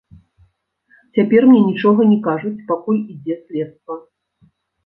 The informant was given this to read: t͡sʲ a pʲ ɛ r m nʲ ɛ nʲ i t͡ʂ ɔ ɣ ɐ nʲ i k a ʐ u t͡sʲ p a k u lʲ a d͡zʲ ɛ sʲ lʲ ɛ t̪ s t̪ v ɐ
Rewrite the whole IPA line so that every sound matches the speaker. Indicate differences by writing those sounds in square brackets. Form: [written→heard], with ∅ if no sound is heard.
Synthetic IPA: t͡sʲ a pʲ ɛ r m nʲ ɛ nʲ i t͡ʂ ɔ ɣ ɐ nʲ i k a ʐ u t͡sʲ p a k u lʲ [a→i] d͡zʲ ɛ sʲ lʲ ɛ t̪ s t̪ v ɐ